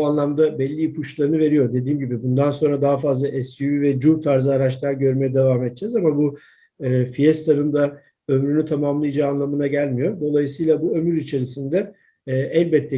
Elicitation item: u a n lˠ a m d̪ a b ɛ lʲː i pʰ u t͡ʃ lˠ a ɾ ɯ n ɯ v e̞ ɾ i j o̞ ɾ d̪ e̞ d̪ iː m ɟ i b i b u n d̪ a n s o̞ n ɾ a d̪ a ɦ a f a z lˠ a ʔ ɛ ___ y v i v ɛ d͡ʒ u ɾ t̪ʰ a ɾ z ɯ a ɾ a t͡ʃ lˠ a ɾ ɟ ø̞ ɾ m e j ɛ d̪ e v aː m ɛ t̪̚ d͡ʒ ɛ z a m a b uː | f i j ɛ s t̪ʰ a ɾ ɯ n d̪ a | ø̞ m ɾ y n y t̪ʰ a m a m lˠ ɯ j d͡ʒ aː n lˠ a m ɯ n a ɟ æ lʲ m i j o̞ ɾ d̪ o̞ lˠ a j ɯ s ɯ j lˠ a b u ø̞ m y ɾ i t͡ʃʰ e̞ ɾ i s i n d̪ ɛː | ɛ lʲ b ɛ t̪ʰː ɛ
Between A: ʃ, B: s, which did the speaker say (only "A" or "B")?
B